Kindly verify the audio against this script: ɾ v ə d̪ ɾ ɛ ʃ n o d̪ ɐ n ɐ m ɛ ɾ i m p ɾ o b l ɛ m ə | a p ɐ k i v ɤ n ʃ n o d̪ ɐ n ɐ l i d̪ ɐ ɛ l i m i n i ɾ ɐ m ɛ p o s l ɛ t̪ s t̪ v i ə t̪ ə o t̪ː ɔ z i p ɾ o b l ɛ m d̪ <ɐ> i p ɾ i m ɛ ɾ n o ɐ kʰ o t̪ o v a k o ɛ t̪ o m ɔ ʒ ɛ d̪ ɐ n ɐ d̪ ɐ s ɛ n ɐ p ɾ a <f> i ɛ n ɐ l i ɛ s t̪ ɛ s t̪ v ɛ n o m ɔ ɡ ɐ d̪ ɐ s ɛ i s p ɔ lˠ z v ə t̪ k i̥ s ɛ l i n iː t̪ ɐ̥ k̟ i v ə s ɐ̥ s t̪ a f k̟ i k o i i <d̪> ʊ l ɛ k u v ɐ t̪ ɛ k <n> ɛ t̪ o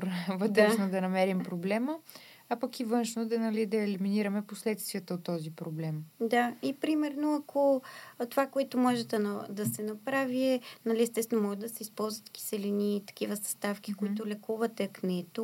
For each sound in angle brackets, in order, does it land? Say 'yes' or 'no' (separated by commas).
no, no, no, yes